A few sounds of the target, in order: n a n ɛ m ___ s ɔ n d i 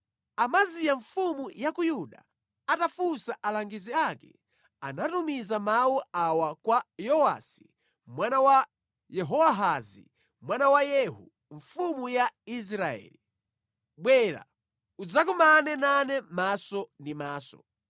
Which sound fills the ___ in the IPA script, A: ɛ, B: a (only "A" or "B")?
B